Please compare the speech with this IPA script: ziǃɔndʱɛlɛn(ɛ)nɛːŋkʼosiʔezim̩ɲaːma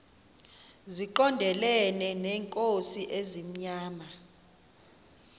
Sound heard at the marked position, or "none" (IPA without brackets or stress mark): ɛ